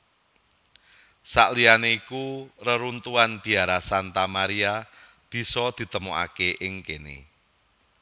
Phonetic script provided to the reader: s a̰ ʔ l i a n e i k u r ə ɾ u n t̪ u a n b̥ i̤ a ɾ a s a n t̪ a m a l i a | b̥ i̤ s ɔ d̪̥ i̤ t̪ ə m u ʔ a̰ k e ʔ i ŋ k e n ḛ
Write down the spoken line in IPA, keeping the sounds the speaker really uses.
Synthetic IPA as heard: s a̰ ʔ l i a n e i k u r ə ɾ u n t̪ u a n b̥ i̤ a ɾ a s a n t̪ a m a ɾ i a | b̥ i̤ s ɔ d̪̥ i̤ t̪ ə m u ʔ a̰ k e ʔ ɪ ŋ k e n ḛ